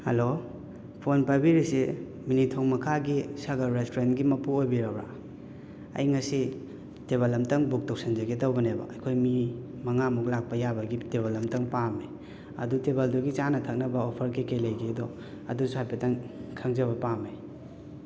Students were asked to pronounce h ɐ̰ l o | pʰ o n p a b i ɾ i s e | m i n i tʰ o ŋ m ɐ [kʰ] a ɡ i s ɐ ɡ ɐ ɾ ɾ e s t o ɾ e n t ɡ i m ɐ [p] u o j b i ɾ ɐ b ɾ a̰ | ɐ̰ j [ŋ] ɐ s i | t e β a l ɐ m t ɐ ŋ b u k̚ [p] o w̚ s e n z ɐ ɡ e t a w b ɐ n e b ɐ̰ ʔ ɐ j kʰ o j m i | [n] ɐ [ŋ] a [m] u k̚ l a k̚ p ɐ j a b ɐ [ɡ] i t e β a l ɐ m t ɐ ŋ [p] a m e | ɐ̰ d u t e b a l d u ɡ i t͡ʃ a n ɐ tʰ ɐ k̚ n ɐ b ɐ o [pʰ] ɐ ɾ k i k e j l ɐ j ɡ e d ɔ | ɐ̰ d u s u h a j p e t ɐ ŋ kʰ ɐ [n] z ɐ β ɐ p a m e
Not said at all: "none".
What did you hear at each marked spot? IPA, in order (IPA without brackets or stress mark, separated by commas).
kʰ, p, ŋ, t, m, ŋ, m, ɡ, p, pʰ, ŋ